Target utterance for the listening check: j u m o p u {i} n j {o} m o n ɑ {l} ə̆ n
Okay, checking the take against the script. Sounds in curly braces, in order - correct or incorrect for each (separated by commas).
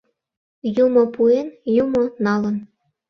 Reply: incorrect, incorrect, correct